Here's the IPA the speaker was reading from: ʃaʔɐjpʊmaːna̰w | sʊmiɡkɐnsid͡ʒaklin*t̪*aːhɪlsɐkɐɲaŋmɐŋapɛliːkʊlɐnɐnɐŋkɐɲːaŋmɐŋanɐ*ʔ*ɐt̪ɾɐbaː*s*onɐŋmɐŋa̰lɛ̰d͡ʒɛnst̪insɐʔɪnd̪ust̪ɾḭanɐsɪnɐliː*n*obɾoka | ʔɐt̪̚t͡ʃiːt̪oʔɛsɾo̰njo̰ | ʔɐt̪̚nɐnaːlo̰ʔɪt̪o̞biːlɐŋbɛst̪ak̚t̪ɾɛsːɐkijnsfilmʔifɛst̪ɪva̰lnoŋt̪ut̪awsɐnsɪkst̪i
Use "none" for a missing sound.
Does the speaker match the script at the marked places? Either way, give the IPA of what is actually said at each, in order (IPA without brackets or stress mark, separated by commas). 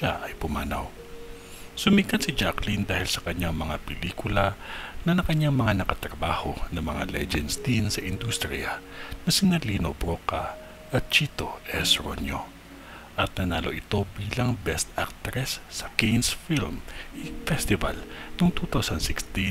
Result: d̪, k, h, n